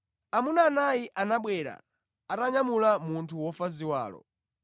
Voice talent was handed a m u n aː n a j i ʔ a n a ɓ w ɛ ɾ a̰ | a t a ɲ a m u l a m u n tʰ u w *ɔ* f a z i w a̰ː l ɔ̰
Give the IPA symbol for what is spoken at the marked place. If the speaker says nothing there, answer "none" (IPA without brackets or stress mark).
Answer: ɔ